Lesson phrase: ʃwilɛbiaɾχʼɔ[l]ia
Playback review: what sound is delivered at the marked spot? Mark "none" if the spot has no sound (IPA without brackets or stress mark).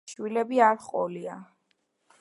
l